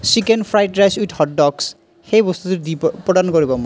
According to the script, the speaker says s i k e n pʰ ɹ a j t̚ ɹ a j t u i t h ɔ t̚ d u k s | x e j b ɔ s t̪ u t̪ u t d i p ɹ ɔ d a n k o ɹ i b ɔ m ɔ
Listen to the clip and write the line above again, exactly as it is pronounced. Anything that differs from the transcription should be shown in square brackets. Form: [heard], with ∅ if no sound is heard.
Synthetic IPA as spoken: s i k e n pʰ ɹ a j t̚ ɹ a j [s] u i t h ɔ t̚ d [ɔ] k s | x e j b ɔ s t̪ u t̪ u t d i p ɹ ɔ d a n k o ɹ i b ɔ m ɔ